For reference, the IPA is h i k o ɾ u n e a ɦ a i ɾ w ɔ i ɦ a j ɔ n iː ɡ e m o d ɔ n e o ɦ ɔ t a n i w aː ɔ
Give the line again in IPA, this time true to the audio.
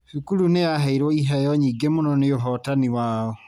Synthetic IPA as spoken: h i k u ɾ u n e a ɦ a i ɾ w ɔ i ɦ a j ɔ ɲ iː ɡ e m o n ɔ n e o ɦ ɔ t a n i w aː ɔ